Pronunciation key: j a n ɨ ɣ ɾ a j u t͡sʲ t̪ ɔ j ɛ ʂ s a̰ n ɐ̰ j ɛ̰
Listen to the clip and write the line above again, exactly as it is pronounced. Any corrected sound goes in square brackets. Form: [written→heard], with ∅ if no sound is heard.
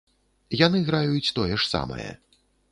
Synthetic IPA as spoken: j a n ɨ ɣ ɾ a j u t͡sʲ t̪ ɔ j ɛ ʂ s a̰ [n→m] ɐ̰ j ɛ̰